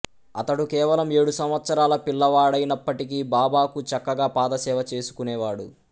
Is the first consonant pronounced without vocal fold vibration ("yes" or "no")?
yes